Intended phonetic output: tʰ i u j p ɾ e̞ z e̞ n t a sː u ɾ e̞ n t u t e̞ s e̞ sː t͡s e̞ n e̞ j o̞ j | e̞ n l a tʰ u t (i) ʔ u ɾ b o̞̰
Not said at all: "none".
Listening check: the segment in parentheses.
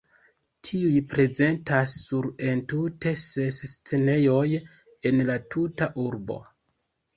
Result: a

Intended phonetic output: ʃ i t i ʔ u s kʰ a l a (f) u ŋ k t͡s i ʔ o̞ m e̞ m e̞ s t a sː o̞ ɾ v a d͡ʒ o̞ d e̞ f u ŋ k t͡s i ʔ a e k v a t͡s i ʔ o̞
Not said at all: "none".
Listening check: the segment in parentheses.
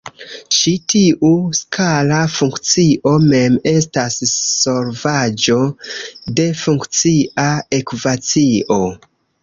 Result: f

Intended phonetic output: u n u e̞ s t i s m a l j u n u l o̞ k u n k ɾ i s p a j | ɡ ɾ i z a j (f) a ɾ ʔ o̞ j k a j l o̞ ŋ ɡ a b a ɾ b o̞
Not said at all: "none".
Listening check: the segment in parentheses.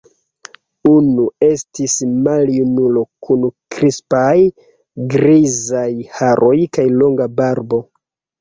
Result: h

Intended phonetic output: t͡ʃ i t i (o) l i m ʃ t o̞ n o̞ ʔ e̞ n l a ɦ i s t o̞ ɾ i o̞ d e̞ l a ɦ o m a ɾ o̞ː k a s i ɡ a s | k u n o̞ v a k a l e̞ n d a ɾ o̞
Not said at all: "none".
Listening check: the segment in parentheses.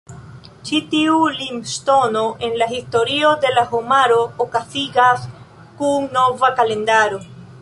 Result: u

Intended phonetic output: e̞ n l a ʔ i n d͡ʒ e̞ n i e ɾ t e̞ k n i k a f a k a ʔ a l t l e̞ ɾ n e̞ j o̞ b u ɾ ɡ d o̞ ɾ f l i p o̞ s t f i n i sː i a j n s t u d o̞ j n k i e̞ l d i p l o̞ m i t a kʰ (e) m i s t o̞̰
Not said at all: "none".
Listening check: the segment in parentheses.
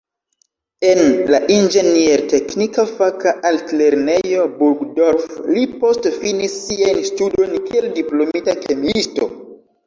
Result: e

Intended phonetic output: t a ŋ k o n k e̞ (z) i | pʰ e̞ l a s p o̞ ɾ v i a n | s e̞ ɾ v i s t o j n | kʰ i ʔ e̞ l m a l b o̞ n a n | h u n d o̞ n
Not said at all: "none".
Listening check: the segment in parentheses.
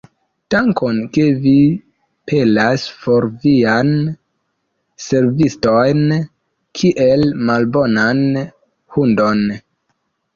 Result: v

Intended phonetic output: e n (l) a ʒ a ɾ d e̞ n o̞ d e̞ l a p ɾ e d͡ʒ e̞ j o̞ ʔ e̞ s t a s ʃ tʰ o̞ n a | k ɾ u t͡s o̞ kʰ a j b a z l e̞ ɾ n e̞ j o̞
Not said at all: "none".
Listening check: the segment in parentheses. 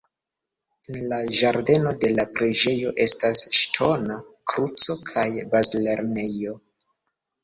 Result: l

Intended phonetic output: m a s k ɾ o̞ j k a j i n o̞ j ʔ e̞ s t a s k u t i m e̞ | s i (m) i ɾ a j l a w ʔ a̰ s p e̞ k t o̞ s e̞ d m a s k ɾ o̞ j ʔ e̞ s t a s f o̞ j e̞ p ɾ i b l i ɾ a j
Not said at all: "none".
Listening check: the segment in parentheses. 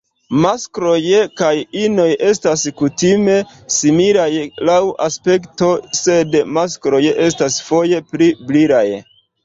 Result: m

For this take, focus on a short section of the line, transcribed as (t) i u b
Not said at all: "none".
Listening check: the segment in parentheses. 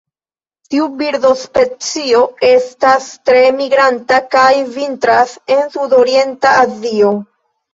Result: t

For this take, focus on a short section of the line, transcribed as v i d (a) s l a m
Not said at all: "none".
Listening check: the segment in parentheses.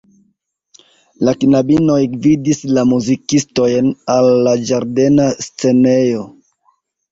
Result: i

